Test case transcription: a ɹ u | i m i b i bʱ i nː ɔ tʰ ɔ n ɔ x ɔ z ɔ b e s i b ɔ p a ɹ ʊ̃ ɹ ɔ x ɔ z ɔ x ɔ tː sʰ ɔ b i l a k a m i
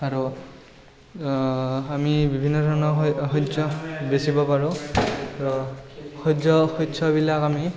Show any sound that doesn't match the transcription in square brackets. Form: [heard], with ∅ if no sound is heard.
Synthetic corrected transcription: a ɹ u | [a] m i b i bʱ i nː ɔ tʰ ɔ n ɔ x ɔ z ɔ b e s i b ɔ p a ɹ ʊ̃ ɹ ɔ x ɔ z ɔ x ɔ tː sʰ ɔ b i l a k a m i